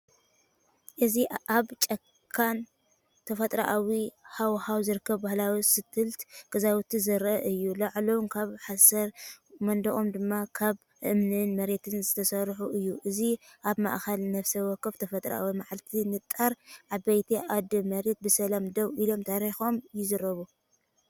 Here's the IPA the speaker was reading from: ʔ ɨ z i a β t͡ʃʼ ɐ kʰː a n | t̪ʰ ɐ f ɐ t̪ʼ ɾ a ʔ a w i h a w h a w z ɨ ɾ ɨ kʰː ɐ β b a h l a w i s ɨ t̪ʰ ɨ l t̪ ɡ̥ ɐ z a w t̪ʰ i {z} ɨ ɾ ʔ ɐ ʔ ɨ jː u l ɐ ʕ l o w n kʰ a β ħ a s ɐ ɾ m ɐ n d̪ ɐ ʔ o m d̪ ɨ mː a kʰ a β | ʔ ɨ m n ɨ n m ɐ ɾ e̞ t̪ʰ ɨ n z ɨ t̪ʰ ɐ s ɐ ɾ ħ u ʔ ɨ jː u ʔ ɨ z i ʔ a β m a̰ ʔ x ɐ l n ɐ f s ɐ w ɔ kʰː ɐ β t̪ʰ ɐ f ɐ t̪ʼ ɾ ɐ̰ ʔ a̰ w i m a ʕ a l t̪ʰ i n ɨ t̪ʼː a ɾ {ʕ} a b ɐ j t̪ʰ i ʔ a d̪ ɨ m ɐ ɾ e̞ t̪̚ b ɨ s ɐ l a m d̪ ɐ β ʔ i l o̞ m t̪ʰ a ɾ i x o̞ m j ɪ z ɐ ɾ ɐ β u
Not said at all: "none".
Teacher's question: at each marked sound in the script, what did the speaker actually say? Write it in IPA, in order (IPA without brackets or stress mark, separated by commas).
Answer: z, ʕ